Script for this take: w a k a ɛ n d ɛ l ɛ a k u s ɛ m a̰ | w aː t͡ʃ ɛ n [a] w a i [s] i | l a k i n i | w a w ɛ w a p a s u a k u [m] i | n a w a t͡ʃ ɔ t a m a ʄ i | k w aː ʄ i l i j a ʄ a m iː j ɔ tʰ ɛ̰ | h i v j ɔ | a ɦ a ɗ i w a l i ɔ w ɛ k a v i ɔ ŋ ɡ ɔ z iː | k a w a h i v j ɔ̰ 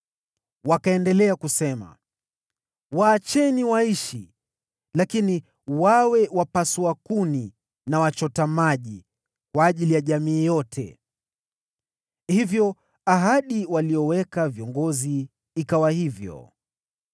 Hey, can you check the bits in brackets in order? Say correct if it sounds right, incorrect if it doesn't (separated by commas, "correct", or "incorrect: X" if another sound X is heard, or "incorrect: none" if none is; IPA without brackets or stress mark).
incorrect: i, incorrect: ʃ, incorrect: n